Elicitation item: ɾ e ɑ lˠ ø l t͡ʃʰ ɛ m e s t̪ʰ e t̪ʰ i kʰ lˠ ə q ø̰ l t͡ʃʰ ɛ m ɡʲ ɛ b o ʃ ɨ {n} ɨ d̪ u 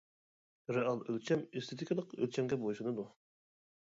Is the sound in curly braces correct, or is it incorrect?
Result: correct